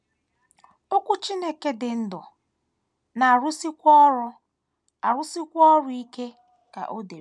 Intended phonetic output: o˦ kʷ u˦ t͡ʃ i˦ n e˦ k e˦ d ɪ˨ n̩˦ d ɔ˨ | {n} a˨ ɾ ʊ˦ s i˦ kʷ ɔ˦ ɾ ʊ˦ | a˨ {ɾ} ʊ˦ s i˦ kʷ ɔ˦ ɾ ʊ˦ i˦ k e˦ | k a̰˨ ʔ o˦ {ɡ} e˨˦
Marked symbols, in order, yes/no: yes, yes, no

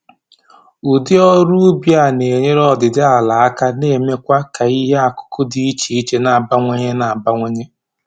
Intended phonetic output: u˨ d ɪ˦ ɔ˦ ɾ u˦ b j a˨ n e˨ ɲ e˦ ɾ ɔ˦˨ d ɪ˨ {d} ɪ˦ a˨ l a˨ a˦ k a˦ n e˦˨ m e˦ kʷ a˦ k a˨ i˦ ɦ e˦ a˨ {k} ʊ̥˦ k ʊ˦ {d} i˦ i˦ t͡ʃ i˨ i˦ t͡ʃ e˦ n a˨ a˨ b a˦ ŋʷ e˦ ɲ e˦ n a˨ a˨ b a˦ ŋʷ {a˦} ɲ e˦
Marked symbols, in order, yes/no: yes, yes, yes, no

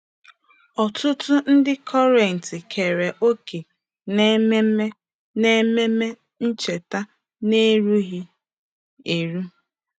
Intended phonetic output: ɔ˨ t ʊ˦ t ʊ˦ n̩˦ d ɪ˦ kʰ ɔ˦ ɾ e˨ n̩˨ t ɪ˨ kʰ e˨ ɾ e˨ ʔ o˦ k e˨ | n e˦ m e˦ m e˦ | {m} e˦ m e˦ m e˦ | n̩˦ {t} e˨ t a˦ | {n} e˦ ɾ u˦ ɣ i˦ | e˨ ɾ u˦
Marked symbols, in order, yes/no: no, no, yes

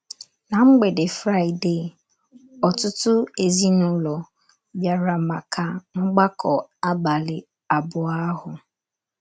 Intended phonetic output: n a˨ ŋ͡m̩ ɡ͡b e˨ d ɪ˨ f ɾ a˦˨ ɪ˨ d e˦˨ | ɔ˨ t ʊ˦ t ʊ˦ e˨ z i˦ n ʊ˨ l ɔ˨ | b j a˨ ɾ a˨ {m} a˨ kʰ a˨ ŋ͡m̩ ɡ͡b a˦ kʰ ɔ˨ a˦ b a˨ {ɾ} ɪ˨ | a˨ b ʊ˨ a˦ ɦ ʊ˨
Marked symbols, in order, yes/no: yes, no

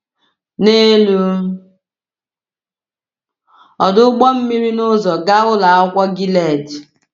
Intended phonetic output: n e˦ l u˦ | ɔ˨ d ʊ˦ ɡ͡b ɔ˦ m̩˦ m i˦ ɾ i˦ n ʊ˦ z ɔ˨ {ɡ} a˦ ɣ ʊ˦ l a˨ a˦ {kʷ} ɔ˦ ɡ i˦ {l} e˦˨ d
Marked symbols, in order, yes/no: yes, yes, yes

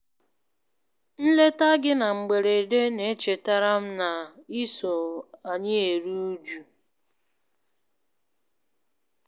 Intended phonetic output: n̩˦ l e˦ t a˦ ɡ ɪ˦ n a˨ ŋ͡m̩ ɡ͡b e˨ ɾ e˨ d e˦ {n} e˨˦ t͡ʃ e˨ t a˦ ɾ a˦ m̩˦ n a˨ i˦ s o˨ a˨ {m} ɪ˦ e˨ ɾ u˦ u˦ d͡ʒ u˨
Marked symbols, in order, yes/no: yes, no

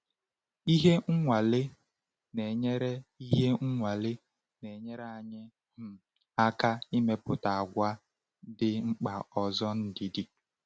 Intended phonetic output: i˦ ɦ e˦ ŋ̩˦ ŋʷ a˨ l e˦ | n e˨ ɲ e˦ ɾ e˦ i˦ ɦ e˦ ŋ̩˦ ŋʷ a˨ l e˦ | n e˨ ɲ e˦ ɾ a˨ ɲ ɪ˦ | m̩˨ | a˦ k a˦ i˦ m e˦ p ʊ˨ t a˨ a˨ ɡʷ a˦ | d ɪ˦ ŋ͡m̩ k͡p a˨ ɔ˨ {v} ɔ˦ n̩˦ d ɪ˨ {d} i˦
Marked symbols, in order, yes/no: no, yes

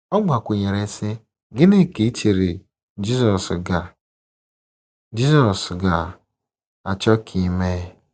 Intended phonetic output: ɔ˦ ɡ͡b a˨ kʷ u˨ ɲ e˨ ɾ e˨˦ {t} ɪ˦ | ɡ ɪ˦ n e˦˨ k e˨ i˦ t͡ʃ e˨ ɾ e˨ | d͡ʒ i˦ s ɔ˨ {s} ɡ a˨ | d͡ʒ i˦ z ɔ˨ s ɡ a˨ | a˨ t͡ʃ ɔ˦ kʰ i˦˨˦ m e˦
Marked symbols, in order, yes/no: no, yes

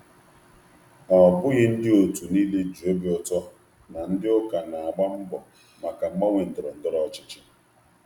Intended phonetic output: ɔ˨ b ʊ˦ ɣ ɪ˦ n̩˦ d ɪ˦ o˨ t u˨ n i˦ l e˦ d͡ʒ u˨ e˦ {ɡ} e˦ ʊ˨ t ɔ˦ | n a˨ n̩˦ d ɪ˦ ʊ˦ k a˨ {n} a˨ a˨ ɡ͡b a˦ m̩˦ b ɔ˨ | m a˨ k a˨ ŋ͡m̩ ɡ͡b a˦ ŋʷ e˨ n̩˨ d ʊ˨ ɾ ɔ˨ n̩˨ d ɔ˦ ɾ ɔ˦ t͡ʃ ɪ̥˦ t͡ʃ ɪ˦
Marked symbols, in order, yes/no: no, yes

